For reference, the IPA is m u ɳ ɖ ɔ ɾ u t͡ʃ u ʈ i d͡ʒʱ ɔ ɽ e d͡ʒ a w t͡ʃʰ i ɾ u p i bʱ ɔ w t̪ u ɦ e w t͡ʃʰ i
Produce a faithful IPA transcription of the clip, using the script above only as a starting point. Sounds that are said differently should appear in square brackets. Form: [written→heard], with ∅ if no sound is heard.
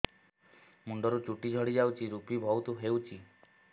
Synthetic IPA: m u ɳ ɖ ɔ ɾ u t͡ʃ u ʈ i d͡ʒʱ ɔ ɽ [e→i] d͡ʒ a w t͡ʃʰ i ɾ u p i bʱ ɔ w t̪ u ɦ e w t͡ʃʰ i